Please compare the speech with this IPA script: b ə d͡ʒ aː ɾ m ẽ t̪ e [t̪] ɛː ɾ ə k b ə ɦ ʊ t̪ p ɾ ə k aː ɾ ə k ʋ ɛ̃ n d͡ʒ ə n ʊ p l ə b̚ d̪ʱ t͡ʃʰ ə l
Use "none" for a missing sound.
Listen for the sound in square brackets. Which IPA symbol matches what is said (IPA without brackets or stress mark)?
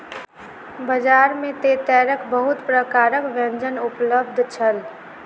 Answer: t̪